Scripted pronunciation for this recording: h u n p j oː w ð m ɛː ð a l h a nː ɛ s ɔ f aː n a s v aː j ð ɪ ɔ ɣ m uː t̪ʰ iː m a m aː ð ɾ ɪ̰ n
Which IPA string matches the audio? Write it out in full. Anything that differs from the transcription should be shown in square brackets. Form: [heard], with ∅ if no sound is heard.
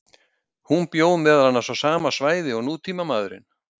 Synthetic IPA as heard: h u n p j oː w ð m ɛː ð a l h a nː [a] s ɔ [s] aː [m] a s v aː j ð ɪ ɔ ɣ [n] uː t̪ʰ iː m a m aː ð ɾ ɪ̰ n